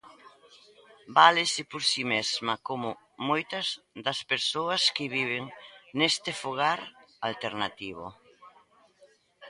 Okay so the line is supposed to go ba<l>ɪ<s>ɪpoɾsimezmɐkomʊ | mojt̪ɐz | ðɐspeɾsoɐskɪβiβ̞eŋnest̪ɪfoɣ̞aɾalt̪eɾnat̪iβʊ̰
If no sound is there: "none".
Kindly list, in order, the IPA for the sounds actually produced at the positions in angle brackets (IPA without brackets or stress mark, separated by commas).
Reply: l, s